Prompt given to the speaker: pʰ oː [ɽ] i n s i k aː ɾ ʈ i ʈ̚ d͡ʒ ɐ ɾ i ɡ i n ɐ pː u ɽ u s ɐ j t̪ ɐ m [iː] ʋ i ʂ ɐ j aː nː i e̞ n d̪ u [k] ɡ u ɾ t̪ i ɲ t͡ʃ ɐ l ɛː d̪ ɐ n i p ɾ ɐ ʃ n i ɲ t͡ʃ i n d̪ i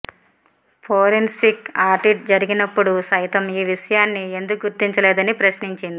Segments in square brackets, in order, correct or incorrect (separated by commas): incorrect, correct, correct